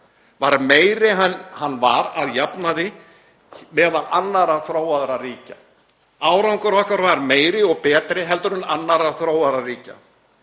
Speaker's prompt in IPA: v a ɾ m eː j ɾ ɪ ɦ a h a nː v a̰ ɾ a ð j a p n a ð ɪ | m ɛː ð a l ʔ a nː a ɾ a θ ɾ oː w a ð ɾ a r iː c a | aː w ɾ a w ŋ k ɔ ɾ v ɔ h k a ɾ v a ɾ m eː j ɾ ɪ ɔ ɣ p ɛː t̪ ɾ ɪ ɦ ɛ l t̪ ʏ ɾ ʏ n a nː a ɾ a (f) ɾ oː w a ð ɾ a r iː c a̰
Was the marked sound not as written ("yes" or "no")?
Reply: yes